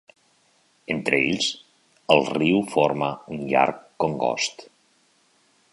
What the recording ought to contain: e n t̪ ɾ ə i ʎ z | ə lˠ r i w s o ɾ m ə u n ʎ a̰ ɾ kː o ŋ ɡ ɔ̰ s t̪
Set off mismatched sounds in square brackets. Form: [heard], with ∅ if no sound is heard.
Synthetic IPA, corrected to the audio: e n t̪ ɾ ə [e] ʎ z | ə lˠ r i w [f] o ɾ m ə u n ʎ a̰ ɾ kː o ŋ ɡ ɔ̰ s t̪